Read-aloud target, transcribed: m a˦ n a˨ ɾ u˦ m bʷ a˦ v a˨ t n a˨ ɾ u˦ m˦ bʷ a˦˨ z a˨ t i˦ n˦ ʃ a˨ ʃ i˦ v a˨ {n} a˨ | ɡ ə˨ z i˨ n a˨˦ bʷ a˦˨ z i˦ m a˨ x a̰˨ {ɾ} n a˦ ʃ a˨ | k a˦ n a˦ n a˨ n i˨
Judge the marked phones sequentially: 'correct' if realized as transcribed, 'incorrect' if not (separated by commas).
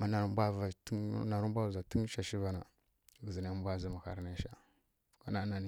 correct, correct